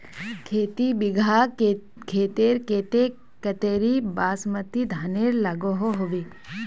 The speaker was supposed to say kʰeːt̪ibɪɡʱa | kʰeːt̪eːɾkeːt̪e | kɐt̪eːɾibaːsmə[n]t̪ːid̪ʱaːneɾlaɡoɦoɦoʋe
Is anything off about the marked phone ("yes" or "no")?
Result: yes